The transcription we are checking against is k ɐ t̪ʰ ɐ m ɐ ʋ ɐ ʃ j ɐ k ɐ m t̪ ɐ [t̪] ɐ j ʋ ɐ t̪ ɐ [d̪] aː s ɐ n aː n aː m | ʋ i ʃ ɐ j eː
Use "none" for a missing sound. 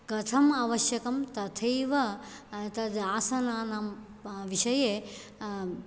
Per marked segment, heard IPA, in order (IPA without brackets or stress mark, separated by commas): t̪ʰ, d̪